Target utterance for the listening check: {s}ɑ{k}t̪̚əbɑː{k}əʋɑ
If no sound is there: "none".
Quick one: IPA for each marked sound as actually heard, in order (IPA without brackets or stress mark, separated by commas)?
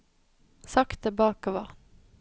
s, k, k